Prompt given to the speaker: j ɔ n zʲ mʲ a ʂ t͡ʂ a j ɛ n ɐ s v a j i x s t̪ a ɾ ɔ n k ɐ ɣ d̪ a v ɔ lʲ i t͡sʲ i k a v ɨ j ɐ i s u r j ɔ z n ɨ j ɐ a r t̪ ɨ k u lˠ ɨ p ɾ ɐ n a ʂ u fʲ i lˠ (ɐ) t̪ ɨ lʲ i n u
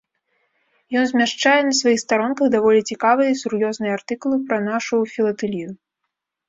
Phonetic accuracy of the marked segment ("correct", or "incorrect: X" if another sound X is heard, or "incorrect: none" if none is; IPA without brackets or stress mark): correct